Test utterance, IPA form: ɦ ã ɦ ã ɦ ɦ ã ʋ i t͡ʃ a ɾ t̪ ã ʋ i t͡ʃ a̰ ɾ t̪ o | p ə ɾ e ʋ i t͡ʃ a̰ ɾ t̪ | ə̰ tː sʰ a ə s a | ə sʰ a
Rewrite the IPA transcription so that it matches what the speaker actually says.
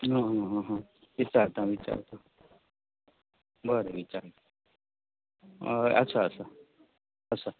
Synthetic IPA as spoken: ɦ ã ɦ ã ɦ ɦ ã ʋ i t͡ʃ a ɾ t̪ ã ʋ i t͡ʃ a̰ ɾ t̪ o | b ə ɾ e ʋ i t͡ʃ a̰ ɾ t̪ | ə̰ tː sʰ a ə s a | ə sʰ a